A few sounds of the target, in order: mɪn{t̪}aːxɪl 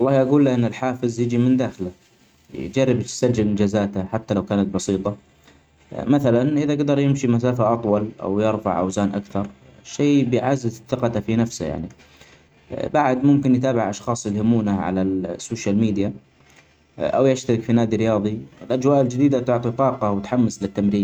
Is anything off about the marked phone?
yes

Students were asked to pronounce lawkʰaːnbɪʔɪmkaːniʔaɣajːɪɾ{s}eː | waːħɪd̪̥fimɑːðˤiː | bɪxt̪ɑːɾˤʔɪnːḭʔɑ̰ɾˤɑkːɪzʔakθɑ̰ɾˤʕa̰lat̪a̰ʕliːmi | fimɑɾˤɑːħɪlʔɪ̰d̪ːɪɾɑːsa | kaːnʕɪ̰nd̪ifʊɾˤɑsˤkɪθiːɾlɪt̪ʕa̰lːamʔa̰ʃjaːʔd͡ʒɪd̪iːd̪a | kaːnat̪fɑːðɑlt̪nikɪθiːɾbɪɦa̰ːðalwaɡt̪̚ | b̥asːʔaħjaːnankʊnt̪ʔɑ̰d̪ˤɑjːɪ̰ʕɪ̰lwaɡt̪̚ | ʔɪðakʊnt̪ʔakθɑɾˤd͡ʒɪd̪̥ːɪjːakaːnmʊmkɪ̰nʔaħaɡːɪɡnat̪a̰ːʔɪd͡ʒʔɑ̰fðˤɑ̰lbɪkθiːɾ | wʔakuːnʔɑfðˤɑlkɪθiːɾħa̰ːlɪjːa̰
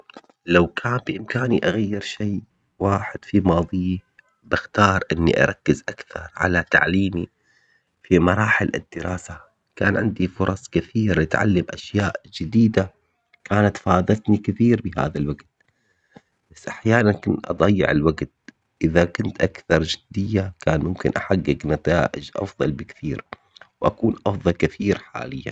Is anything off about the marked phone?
yes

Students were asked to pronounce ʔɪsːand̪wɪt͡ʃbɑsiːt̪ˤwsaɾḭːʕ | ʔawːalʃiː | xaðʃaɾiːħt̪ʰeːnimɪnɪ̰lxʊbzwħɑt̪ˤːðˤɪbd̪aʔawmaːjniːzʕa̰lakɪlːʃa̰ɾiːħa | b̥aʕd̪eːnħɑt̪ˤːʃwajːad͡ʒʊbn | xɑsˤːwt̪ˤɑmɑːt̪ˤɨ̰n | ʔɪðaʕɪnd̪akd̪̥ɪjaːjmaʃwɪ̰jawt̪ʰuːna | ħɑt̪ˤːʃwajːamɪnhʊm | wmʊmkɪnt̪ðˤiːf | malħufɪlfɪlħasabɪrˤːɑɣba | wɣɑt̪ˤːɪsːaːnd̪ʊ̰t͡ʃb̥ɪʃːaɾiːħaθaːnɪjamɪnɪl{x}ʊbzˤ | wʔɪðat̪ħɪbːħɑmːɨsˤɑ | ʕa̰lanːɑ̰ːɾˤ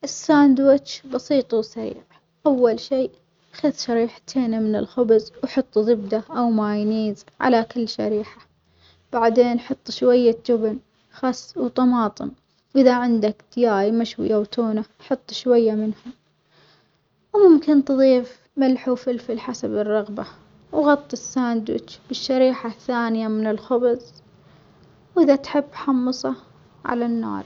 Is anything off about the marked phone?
no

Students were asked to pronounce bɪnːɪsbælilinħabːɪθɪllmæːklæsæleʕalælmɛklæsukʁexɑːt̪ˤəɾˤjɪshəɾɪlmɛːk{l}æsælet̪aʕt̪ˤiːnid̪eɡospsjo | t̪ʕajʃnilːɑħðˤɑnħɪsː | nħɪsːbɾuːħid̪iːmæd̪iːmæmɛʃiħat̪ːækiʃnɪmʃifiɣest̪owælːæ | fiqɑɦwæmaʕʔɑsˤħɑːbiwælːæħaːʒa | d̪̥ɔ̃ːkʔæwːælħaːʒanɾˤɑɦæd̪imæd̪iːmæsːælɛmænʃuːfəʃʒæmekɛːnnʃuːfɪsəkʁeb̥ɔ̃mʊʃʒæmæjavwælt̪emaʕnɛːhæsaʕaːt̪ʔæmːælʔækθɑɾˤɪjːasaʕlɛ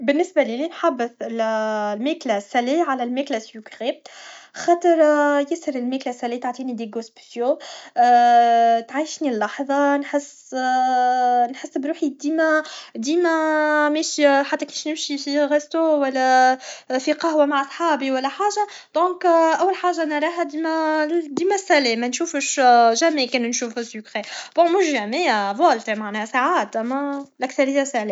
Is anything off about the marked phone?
no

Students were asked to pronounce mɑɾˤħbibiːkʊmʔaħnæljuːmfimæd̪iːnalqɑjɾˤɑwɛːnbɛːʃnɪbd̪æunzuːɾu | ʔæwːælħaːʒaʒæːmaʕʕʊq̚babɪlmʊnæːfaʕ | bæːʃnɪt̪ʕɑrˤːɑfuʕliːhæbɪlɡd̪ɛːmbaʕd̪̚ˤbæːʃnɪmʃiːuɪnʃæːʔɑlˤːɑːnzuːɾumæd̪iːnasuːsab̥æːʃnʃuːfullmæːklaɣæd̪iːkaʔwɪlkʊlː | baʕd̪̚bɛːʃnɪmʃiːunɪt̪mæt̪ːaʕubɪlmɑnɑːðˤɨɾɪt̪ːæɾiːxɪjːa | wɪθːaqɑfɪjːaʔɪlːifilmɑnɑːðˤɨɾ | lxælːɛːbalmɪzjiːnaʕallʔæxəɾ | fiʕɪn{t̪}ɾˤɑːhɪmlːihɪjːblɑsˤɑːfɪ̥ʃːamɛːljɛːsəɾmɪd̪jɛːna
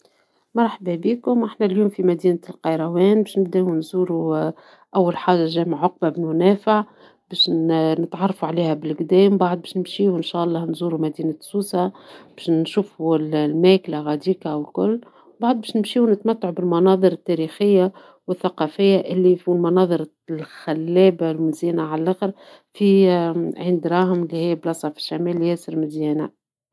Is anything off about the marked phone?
yes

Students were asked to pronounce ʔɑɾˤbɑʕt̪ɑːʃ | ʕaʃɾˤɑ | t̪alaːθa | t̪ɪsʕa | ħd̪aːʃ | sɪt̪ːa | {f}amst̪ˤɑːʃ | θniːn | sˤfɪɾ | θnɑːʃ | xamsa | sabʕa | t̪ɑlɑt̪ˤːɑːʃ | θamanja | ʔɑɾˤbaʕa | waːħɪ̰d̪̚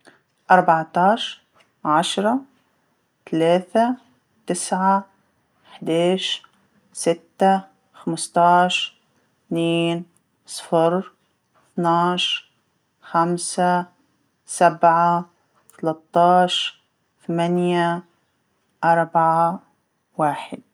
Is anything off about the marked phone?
yes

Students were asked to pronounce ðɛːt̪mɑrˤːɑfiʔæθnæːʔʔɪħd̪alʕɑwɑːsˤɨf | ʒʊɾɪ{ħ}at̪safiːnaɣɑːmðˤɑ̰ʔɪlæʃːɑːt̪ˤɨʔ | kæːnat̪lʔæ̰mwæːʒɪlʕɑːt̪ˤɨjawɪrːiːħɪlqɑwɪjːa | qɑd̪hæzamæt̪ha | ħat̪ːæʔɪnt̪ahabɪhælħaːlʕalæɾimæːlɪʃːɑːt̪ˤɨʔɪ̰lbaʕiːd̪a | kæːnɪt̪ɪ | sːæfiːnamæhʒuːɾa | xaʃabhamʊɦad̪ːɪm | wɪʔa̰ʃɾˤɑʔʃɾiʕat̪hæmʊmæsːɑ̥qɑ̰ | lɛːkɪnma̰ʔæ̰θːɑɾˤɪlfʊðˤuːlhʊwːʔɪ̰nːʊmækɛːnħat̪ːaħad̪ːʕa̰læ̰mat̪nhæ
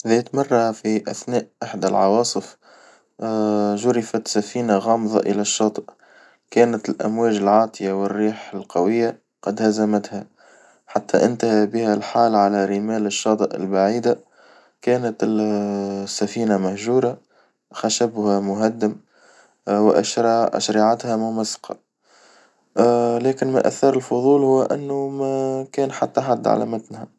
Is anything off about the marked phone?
yes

